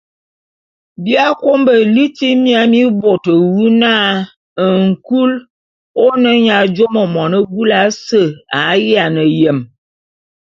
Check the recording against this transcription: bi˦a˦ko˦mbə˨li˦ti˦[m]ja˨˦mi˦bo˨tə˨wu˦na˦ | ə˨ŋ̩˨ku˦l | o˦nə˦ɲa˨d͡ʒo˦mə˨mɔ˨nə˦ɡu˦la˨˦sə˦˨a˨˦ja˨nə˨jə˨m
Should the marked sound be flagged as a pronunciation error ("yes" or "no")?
no